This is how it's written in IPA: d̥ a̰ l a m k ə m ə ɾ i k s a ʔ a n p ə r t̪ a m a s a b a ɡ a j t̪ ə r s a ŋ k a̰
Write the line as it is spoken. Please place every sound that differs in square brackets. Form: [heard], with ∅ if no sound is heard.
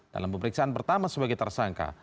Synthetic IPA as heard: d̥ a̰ l a m [p] ə m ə ɾ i k s a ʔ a n p ə r t̪ a m a s [ə] b a ɡ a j t̪ ə r s a ŋ k a̰